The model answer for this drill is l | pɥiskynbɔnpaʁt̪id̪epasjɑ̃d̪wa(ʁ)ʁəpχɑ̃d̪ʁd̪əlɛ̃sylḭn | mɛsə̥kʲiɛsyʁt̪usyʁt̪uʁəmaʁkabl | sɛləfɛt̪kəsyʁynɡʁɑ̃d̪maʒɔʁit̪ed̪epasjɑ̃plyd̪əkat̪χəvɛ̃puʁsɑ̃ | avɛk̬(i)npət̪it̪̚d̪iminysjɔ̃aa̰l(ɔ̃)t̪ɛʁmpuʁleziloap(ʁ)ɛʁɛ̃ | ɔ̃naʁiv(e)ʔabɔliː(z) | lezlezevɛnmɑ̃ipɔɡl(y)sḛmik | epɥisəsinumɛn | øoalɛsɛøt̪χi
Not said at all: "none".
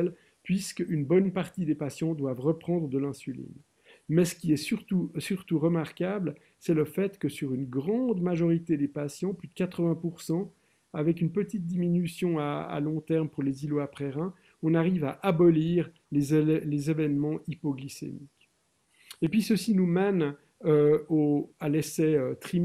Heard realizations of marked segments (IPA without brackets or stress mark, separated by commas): v, y, ɔ̃, χ, a, ʁ, i